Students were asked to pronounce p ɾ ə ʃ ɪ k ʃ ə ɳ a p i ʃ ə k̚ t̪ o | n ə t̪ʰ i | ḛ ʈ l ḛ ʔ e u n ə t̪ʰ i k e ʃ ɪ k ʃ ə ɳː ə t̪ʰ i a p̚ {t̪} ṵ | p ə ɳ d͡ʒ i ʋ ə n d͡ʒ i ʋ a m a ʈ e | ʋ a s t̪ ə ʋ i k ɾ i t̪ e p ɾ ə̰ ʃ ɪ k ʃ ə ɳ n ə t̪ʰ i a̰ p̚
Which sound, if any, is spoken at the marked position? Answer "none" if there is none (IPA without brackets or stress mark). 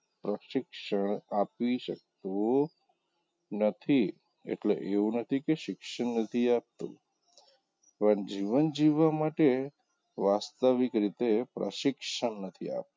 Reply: t̪